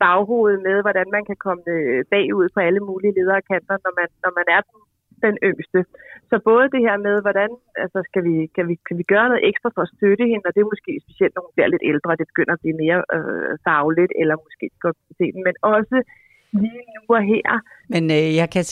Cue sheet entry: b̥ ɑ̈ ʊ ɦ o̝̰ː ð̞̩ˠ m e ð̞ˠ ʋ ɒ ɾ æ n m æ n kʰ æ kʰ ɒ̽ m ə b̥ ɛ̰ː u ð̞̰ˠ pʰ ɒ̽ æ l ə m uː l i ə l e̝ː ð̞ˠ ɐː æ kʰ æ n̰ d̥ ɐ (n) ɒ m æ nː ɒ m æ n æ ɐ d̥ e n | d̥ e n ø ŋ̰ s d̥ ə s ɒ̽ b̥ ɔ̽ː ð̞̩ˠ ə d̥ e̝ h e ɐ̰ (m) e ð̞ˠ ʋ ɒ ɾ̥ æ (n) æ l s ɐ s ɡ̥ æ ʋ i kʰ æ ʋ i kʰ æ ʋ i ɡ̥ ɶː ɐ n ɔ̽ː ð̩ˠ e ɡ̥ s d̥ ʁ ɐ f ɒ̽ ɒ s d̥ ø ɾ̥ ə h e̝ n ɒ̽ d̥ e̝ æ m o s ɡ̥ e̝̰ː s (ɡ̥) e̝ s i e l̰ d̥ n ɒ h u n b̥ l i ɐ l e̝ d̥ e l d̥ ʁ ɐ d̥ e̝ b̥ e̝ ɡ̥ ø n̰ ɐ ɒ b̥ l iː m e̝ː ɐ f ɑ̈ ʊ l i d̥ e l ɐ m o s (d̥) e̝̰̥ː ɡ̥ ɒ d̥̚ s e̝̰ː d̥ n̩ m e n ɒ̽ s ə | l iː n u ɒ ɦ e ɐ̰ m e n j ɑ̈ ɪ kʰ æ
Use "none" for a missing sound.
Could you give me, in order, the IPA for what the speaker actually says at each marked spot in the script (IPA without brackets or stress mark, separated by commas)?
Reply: n, m, n, b̥, ɡ̥